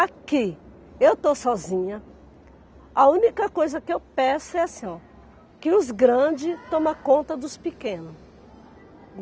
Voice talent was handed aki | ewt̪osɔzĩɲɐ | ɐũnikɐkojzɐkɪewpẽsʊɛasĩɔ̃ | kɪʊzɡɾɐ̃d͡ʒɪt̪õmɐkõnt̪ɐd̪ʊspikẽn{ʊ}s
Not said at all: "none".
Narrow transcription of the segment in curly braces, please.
ʊ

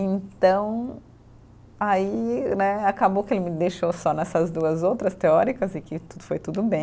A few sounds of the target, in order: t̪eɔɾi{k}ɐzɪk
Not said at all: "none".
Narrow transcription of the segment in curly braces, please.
k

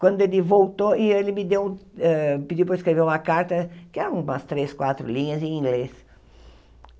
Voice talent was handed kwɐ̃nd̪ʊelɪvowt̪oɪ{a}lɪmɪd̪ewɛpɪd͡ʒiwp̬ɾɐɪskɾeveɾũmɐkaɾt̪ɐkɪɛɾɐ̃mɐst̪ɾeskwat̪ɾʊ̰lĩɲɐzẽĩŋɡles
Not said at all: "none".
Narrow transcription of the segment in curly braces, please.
e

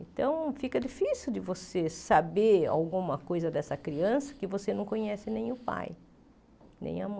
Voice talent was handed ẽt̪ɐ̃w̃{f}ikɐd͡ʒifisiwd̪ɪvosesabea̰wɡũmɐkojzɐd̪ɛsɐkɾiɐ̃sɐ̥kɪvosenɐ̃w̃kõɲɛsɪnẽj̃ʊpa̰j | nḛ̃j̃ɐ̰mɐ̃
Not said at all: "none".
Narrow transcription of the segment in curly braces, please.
f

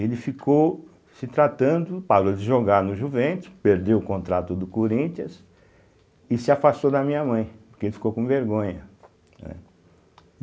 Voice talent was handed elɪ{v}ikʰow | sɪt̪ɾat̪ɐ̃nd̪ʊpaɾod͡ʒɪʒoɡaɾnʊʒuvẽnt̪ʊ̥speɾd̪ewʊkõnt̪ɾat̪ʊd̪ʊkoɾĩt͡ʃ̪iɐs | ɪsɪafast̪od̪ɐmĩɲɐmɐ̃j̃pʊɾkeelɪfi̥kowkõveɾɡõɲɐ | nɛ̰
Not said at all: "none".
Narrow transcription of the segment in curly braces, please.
f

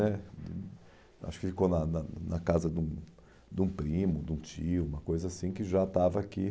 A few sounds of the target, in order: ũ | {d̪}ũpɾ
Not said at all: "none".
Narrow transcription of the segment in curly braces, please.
d̪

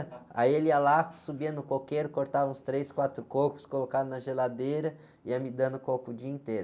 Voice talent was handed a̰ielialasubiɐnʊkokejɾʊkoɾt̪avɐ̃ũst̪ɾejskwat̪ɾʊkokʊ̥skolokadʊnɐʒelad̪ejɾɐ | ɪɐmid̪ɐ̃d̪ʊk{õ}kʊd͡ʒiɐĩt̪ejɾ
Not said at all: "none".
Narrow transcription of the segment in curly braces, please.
o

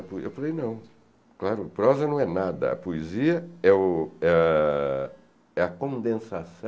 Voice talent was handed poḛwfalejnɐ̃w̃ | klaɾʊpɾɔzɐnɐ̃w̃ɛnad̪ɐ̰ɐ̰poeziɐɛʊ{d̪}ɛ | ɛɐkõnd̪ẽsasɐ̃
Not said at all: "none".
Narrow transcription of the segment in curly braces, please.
none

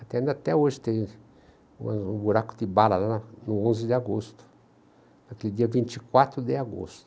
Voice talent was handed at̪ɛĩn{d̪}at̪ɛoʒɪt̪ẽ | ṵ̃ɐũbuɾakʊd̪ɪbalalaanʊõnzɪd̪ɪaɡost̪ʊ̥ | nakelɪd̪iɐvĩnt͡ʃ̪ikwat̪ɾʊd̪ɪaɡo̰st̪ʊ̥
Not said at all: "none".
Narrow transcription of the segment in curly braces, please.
d̪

